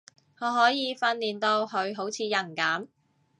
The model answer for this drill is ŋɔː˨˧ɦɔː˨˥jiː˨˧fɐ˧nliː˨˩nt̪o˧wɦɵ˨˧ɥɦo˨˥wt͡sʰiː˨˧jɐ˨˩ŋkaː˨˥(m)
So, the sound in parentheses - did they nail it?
yes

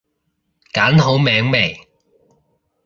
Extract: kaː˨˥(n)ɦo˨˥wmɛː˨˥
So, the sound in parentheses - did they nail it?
yes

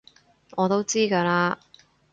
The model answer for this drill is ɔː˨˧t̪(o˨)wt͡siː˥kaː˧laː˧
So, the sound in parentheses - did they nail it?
no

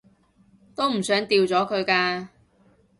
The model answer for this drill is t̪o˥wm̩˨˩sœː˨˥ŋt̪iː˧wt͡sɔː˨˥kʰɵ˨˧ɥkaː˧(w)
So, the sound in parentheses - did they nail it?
no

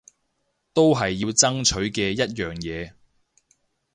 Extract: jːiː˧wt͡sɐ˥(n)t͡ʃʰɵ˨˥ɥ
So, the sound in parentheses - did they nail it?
no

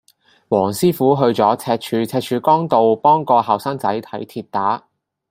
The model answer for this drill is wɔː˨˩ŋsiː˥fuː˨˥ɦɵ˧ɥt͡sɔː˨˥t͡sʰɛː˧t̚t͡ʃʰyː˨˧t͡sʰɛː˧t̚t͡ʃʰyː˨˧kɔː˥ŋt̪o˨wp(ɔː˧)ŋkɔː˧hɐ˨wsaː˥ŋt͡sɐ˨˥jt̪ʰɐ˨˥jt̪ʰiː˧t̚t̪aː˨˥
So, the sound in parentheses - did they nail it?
no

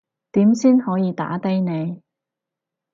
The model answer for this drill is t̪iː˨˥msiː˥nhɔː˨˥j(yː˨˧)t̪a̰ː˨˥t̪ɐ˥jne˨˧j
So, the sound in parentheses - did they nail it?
no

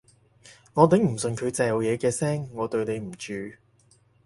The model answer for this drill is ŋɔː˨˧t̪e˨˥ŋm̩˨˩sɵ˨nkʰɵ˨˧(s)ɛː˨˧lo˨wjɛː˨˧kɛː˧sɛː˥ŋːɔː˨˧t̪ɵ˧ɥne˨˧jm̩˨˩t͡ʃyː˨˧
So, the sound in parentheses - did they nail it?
no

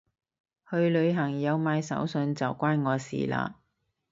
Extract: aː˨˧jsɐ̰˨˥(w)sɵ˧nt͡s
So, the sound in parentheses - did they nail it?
yes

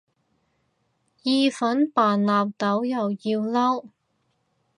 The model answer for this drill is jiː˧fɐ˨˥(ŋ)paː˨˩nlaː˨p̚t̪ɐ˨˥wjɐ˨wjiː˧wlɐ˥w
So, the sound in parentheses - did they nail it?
no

